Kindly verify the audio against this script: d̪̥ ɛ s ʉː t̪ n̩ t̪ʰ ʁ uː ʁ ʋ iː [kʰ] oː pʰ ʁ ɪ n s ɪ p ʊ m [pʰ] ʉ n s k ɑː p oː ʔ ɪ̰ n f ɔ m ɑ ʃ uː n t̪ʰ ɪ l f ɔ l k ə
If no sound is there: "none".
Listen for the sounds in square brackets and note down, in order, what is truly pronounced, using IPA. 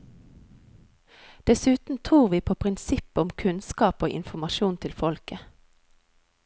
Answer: pʰ, kʰ

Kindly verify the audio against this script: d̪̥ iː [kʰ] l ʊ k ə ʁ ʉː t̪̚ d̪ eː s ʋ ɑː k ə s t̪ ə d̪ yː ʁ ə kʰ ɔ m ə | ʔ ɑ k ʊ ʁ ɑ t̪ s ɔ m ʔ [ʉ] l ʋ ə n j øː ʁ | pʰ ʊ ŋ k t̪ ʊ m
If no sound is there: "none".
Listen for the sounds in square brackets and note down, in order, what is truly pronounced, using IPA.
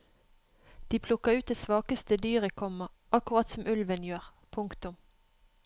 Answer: pʰ, ʉ

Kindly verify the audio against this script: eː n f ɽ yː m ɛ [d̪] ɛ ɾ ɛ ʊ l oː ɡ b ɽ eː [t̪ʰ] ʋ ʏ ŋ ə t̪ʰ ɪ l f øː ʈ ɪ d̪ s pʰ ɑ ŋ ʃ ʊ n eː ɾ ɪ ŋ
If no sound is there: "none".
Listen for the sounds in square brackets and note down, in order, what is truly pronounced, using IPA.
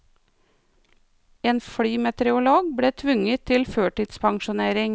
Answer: t̪, t̪ʰ

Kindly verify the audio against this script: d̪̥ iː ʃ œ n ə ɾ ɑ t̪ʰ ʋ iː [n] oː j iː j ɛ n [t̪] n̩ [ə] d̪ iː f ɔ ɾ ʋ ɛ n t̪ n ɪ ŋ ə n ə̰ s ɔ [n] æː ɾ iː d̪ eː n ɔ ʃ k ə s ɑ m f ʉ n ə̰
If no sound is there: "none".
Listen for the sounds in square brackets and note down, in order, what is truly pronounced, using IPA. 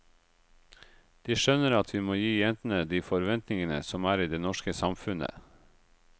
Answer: m, t̪, ə, m

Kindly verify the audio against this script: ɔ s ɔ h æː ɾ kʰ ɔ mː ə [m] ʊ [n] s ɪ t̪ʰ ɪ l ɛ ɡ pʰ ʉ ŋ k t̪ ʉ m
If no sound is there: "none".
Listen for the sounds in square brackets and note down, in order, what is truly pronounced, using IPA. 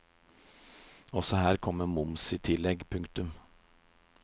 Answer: m, m

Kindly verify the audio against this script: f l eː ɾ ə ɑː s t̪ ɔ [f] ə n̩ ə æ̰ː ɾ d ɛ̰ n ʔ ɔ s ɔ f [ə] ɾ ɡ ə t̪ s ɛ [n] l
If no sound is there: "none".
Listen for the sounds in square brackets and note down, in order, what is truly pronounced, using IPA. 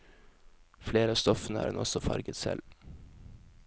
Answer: f, ɑ, none

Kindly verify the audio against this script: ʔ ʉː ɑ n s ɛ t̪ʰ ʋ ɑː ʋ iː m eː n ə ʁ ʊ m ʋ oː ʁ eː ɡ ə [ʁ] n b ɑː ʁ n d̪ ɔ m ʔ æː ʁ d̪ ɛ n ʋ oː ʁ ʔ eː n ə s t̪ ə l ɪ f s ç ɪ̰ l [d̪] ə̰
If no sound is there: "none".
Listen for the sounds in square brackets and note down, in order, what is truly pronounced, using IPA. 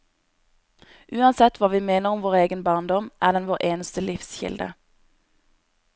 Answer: none, d̪

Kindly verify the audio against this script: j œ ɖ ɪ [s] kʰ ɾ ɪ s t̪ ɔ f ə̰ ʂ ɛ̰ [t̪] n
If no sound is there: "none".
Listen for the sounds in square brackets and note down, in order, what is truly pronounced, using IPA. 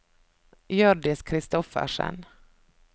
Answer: s, none

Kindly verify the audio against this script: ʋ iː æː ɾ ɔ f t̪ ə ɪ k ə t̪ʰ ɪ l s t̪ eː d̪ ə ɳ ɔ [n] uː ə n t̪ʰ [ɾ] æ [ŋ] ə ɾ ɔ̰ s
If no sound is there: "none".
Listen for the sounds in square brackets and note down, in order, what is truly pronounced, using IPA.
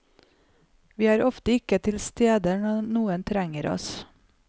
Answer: n, ɾ, ŋ

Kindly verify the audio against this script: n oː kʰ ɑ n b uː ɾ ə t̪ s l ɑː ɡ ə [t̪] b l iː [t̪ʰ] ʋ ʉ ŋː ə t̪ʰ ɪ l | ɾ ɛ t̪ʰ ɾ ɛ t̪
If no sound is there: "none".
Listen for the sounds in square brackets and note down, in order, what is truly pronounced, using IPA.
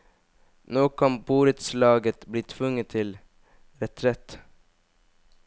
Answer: t̪, t̪ʰ

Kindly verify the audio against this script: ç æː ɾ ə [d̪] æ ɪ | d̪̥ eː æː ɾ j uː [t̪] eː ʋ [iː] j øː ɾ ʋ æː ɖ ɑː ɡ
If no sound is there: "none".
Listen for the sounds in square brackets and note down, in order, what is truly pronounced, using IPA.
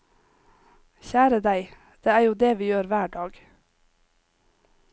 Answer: d̪, d̪, iː

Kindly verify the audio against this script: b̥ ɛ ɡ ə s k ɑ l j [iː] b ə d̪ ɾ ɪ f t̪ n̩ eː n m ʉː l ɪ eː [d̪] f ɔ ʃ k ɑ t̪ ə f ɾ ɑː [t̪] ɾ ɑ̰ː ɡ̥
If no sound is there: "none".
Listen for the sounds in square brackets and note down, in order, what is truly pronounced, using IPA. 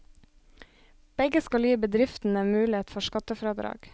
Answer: iː, t̪, d̪

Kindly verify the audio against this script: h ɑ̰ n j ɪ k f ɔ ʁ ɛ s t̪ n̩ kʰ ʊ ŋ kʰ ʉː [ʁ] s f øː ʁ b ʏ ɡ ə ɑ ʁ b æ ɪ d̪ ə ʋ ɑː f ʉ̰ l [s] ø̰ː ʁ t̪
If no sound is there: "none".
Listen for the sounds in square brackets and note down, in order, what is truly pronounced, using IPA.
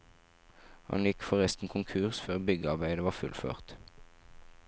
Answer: ʁ, f

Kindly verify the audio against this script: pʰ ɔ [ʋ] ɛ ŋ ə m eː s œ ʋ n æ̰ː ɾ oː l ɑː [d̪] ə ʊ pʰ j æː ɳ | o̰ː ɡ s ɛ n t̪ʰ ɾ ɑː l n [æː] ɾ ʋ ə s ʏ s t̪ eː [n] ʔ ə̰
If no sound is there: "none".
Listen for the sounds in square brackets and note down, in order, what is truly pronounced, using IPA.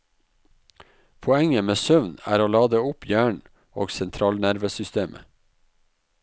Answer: none, d̪, æ, m

